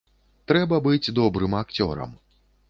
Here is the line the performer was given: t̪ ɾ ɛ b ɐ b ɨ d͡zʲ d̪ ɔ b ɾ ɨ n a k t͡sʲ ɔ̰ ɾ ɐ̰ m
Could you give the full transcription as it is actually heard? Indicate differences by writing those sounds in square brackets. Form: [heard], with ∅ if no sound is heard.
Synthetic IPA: t̪ ɾ ɛ b ɐ b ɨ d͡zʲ d̪ ɔ b ɾ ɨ [m] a k t͡sʲ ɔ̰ ɾ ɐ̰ m